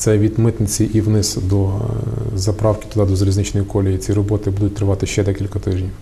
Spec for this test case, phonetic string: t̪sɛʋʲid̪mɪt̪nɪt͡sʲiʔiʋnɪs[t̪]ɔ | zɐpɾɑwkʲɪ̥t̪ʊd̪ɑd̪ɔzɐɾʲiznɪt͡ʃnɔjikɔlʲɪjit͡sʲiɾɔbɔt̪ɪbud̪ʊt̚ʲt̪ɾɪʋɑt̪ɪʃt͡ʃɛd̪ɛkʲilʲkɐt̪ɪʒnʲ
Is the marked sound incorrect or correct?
incorrect